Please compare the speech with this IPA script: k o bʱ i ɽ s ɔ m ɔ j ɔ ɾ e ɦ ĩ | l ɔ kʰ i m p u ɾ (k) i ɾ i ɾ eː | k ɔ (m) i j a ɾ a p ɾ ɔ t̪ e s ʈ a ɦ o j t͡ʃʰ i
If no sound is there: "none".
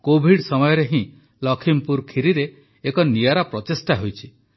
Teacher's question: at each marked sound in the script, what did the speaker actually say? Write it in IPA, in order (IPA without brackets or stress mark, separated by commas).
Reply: kʰ, n